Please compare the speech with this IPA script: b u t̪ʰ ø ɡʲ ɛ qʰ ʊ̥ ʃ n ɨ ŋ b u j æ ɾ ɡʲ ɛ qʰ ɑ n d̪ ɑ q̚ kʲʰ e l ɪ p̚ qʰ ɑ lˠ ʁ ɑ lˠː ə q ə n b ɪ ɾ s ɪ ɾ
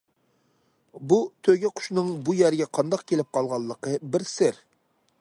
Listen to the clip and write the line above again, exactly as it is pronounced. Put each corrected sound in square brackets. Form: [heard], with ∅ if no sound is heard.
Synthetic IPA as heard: b u t̪ʰ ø ɡʲ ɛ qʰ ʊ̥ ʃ n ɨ ŋ b u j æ ɾ ɡʲ ɛ qʰ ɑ n d̪ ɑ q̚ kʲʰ e l ɪ p̚ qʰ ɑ lˠ ʁ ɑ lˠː ə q ə [∅] b ɪ ɾ s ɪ ɾ